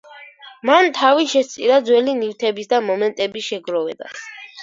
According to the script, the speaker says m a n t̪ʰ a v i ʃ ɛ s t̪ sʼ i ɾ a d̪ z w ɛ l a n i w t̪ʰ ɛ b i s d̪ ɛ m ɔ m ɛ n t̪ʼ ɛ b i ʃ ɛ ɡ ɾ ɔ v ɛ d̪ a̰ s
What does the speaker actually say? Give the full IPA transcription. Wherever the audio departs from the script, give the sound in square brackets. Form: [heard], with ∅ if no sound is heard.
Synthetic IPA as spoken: m a n t̪ʰ a v i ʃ ɛ s t̪ sʼ i ɾ a d̪ z w ɛ l [i] n i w t̪ʰ ɛ b i s d̪ [a] m ɔ m ɛ n t̪ʼ ɛ b i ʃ ɛ ɡ ɾ ɔ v ɛ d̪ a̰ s